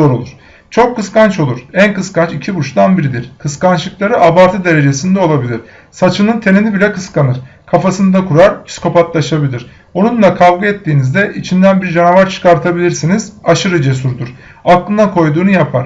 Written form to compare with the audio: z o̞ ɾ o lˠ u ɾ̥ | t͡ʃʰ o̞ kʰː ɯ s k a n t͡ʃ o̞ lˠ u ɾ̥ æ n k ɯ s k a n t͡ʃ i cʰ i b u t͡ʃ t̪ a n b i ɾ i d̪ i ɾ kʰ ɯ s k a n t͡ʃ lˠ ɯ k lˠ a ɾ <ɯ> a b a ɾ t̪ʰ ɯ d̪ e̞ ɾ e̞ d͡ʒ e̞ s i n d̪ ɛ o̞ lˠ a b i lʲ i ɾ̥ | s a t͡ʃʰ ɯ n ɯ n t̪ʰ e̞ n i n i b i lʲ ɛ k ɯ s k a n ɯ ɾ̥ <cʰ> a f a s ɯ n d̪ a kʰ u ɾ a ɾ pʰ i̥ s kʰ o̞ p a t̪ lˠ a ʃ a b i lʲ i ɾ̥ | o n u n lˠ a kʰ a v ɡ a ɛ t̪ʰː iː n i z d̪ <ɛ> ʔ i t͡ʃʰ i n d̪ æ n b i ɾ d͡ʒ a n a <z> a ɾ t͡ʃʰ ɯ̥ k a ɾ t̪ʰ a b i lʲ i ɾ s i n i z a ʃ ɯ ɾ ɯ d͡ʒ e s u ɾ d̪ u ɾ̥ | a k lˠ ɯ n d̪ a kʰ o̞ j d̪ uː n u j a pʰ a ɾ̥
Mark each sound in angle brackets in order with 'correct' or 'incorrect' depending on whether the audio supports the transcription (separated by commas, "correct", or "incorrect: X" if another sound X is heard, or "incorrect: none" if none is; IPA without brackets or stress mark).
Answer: correct, incorrect: kʰ, correct, incorrect: v